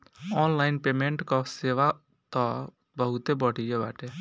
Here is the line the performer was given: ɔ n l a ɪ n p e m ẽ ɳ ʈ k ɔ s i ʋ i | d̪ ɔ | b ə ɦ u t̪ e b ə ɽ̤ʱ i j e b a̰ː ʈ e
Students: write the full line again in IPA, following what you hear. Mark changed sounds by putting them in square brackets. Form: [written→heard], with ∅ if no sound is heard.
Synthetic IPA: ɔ n l a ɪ n p e m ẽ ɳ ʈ k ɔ s [i→e] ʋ [i→a] | [d̪→t̪] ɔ | b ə ɦ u t̪ e b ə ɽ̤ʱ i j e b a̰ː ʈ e